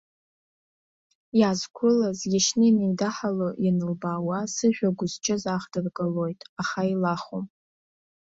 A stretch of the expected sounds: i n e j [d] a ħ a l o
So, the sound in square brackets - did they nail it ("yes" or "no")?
yes